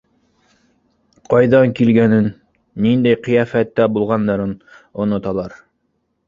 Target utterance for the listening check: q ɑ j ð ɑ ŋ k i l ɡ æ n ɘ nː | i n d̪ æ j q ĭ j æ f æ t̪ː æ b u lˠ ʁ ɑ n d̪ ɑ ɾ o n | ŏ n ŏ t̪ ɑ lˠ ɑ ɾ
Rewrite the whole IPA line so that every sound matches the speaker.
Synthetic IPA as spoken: q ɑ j ð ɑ ŋ k i l ɡ æ n ɘ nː | i n d̪ æ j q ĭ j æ f æ t̪ː æ b u lˠ ʁ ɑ n d̪ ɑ ɾ ɤ n | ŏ n ŏ t̪ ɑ lˠ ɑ ɾ